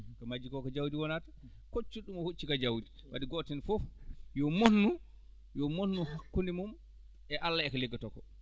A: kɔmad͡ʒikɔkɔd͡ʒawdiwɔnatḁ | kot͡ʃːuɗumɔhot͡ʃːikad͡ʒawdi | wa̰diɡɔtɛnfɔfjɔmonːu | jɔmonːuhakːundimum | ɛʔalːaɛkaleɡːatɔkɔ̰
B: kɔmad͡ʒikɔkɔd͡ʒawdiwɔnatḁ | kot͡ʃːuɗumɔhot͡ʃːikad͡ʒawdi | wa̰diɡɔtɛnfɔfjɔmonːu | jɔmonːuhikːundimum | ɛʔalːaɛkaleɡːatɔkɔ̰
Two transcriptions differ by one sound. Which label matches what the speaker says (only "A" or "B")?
A